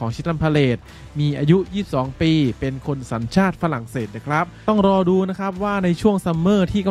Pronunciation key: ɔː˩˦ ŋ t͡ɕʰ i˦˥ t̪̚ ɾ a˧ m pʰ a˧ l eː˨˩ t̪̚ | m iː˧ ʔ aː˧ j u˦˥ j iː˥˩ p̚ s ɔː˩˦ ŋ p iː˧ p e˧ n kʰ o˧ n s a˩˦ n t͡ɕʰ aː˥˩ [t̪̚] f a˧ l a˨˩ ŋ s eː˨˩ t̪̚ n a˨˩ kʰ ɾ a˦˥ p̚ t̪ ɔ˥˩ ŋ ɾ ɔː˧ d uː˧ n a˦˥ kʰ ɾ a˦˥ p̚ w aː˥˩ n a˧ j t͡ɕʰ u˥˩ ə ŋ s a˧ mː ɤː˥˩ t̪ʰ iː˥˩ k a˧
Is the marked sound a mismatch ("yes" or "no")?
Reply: no